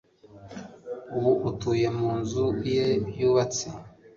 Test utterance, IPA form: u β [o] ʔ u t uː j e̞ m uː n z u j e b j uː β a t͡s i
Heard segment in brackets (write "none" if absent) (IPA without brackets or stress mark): u